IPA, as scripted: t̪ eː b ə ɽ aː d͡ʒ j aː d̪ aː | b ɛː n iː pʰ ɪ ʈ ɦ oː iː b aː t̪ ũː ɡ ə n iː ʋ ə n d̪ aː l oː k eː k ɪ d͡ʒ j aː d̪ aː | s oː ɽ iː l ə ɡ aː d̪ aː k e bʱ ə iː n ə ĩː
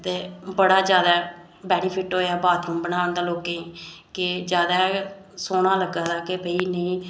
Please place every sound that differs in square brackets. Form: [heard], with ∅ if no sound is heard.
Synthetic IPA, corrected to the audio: t̪ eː b ə ɽ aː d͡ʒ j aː d̪ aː | b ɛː n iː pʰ ɪ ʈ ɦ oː [aː] b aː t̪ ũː [b] ə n [aː] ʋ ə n d̪ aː l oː k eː k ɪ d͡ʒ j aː d̪ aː | s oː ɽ [aː] l ə ɡ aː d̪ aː k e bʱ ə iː n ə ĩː